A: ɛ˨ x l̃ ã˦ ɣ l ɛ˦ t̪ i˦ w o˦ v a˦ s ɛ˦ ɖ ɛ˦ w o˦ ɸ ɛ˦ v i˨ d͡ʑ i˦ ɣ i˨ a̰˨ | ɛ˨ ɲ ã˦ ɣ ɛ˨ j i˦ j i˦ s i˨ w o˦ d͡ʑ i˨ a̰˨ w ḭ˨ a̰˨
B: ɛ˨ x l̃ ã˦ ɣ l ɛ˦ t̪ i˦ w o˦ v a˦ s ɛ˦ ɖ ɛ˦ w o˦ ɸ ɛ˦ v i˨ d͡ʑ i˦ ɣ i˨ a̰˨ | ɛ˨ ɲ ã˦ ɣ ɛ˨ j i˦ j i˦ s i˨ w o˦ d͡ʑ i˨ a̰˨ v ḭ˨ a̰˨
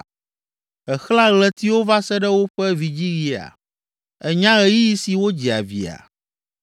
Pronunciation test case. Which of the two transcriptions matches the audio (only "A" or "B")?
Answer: B